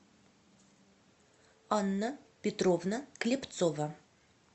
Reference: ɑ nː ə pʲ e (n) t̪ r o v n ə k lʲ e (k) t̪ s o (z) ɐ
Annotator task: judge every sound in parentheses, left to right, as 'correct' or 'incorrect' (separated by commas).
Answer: incorrect, incorrect, incorrect